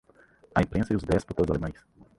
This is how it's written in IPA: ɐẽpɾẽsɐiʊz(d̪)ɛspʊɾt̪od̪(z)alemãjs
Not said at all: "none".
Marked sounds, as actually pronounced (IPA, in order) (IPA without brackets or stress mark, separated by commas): d̪, z